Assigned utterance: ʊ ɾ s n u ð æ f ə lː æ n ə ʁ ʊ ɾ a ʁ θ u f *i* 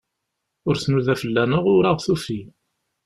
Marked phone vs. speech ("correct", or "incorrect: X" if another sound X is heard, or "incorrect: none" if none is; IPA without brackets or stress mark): correct